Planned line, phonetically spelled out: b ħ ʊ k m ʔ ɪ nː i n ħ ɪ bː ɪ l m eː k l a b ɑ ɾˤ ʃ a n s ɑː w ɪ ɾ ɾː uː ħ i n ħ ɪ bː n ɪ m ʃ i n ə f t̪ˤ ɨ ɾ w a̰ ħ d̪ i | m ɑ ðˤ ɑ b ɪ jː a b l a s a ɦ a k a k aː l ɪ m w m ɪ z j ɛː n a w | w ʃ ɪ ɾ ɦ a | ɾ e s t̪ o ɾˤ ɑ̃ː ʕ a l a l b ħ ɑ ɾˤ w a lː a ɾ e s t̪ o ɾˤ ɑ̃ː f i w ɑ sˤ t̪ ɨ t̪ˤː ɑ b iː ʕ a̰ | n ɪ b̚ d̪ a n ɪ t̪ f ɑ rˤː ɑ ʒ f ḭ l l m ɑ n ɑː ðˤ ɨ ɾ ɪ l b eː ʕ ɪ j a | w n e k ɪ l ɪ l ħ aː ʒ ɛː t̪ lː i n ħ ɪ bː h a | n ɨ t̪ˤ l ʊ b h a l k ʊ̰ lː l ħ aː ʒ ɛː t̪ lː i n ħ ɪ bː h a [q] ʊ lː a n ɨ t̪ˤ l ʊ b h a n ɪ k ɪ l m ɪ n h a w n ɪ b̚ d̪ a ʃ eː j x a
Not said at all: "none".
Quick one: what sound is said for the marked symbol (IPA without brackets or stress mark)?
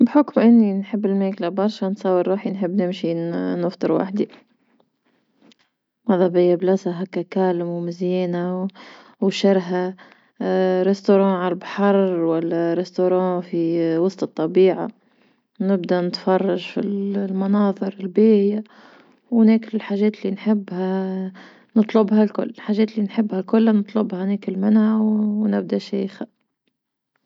k